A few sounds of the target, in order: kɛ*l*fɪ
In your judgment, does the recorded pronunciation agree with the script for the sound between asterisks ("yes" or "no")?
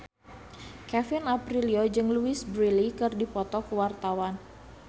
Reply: no